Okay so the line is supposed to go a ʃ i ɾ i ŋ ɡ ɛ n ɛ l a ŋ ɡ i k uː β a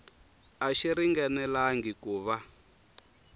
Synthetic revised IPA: a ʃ i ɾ i ŋ ɡ ɛ n ɛ l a ŋ ɡ i k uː β a